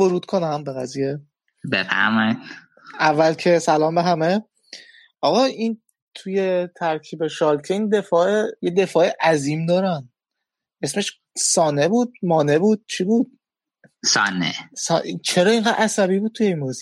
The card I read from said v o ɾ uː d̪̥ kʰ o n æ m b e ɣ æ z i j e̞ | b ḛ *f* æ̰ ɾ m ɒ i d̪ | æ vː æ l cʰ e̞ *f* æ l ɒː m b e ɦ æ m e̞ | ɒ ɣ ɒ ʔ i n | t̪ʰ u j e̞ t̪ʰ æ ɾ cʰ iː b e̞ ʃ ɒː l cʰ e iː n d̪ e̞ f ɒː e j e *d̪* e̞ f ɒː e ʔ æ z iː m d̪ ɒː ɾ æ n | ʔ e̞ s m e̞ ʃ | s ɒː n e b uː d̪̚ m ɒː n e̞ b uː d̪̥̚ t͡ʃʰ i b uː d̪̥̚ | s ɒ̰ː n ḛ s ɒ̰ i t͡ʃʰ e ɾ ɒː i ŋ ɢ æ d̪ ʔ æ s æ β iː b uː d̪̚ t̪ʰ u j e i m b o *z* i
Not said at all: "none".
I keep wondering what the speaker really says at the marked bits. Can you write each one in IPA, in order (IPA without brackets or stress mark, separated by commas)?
f, s, d̪, z